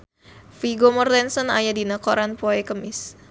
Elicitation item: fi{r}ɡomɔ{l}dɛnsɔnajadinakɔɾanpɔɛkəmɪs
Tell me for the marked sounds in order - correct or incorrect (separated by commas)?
incorrect, incorrect